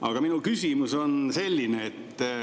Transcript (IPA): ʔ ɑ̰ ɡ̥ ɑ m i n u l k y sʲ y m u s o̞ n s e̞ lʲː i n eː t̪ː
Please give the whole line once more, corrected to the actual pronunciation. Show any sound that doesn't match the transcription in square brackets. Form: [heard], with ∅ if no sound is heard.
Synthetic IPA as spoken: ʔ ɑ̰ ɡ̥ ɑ m i n u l k y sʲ [i] m u s o̞ n s e̞ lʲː i n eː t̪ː